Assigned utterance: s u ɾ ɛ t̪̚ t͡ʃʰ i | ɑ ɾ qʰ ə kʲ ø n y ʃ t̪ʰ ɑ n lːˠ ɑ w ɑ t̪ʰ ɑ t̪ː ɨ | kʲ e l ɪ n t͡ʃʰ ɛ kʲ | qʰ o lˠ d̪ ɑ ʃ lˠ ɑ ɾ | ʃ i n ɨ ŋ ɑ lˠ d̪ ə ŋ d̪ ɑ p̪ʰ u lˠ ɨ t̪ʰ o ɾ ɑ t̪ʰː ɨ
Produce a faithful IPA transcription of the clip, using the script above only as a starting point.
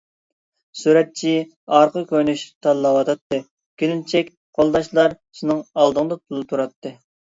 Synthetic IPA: s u ɾ ɛ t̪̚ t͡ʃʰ i | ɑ ɾ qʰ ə kʲ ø n y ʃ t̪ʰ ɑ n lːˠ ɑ w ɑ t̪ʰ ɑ t̪ː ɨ | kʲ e l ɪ n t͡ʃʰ ɛ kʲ | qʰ o lˠ d̪ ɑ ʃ lˠ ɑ ɾ | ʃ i n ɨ ŋ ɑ lˠ d̪ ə ŋ d̪ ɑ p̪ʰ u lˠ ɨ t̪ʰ u ɾ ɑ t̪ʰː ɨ